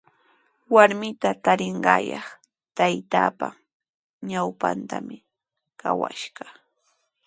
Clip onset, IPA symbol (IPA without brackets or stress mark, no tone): w